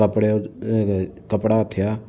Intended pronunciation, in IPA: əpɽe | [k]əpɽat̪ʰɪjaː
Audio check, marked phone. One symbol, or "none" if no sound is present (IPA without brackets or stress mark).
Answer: k